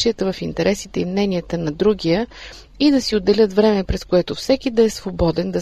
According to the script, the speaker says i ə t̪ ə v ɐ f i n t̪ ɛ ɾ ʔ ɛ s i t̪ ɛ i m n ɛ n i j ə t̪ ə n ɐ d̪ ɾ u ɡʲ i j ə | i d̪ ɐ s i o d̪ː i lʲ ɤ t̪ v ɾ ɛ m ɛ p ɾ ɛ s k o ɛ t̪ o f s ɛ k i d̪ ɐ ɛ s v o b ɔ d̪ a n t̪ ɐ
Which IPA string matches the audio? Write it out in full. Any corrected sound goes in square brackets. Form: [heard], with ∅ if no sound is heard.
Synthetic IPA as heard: i ə t̪ ə v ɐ f i n t̪ ɛ ɾ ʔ ɛ s i t̪ ɛ i m n ɛ n i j ə t̪ ə n ɐ d̪ ɾ u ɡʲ i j ə | i d̪ ɐ s i o d̪ː [ɛ] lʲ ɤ t̪ v ɾ ɛ m ɛ p ɾ ɛ s k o ɛ t̪ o f s ɛ k i d̪ ɐ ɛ s v o b ɔ d̪ [ɛ] n [d̪] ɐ